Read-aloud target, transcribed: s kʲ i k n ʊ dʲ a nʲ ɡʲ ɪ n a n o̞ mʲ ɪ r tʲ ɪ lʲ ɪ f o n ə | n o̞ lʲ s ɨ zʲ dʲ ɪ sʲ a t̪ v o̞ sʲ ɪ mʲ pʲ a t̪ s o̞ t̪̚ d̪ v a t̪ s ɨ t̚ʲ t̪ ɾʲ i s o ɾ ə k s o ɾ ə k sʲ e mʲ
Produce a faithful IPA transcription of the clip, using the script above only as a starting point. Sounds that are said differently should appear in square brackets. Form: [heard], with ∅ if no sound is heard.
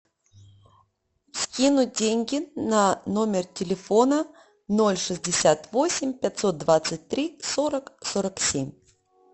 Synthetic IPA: s kʲ i [∅] n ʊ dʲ [e] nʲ ɡʲ ɪ n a n o̞ mʲ ɪ r tʲ ɪ lʲ ɪ f o n ə | n o̞ lʲ [ʂ] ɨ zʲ dʲ ɪ sʲ a t̪ v o̞ sʲ ɪ mʲ pʲ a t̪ s o̞ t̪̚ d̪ v a t̪ s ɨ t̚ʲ t̪ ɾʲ i s o ɾ ə k s o ɾ ə k sʲ e mʲ

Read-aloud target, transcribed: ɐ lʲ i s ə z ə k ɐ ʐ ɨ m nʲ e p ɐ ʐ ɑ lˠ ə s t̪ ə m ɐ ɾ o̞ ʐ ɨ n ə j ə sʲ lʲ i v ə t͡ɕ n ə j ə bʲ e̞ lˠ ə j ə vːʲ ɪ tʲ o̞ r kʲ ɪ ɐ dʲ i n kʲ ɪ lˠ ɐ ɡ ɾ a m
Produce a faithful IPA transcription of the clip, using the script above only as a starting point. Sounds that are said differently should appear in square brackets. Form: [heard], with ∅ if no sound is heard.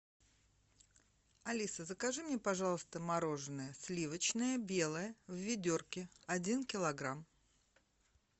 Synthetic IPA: ɐ lʲ i s ə z ə k ɐ ʐ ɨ m nʲ e p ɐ ʐ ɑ lˠ ə s t̪ ə m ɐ ɾ o̞ ʐ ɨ n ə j ə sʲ lʲ i v ə t͡ɕ n ə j ə bʲ e̞ lˠ ə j ə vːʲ ɪ [dʲ] o̞ r kʲ ɪ ɐ dʲ i n kʲ ɪ lˠ ɐ ɡ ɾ a m

